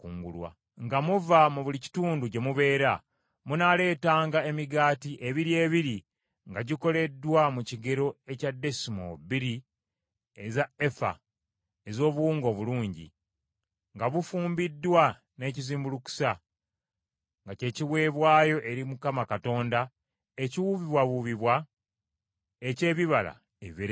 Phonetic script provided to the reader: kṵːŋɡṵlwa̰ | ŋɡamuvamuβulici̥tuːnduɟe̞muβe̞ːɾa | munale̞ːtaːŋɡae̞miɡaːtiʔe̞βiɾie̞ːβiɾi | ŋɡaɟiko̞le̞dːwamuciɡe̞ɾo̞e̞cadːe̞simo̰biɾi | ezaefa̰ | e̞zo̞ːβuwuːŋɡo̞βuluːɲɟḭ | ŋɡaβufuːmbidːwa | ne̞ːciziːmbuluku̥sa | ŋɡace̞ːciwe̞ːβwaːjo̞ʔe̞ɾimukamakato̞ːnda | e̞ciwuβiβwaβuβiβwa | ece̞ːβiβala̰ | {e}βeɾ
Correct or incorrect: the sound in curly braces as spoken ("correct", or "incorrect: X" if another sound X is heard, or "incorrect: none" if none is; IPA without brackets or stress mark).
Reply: correct